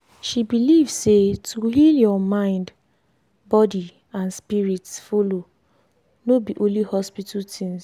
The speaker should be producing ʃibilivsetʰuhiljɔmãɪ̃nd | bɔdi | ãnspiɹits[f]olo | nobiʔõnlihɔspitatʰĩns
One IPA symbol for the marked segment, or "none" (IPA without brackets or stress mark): f